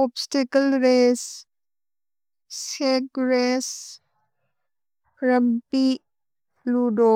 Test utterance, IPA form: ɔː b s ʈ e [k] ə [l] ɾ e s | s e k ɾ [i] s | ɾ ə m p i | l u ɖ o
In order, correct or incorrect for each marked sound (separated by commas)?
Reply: correct, correct, incorrect